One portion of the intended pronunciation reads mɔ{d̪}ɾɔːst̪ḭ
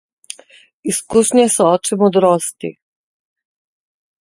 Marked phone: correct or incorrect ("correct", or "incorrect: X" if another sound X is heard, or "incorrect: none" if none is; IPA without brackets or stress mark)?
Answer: correct